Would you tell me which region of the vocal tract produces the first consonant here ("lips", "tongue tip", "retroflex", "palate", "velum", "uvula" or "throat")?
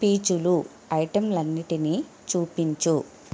lips